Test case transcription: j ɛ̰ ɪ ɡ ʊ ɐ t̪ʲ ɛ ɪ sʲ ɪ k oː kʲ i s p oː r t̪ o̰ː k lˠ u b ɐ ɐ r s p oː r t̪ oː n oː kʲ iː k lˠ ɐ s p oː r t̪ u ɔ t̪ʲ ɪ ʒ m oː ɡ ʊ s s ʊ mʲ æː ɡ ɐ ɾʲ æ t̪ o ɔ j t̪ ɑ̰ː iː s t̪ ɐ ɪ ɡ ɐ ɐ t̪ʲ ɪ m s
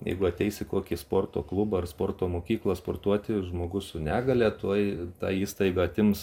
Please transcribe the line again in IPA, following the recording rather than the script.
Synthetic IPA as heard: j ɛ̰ ɪ ɡ ʊ ɐ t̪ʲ ɛ ɪ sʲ ɪ k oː kʲ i s p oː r t̪ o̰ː k lˠ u b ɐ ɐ r s p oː r t̪ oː m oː kʲ iː k lˠ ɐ s p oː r t̪ u ɔ t̪ʲ ɪ ʒ m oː ɡ ʊ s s ʊ nʲ æː ɡ ɐ lʲ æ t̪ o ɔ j t̪ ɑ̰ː iː s t̪ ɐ ɪ ɡ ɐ ɐ t̪ʲ ɪ m s